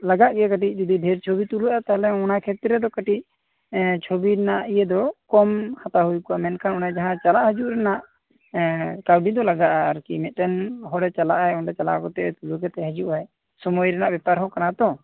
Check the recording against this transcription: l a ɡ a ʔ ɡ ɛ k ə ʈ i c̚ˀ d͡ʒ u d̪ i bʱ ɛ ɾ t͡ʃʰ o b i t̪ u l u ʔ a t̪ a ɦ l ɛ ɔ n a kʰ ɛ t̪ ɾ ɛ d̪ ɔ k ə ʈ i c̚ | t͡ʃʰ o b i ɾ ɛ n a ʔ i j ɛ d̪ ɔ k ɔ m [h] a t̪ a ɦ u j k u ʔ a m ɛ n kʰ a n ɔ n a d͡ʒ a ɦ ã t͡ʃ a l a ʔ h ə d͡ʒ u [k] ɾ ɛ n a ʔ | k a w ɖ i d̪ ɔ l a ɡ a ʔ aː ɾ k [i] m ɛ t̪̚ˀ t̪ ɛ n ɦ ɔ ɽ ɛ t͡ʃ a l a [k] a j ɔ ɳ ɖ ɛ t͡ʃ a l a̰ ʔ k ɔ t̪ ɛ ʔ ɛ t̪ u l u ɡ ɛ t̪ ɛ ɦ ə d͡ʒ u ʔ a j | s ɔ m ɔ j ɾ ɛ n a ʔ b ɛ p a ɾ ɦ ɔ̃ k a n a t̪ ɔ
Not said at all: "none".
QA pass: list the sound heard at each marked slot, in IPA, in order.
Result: h, ʔ, i, ʔ

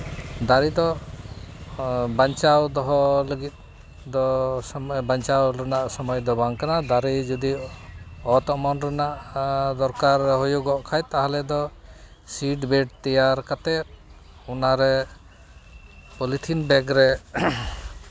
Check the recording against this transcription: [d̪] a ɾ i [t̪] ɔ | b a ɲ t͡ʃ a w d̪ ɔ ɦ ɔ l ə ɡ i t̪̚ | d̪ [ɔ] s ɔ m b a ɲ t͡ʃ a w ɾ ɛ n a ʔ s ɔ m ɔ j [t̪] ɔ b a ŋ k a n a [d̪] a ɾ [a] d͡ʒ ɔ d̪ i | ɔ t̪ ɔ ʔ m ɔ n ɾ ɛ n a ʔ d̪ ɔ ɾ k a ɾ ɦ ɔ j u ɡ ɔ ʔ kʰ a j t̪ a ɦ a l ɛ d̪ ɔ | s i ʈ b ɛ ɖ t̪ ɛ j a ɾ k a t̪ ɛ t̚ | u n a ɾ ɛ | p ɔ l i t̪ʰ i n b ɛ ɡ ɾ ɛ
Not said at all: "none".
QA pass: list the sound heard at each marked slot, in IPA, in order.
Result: d̪, d̪, ɔ, d̪, d̪, i

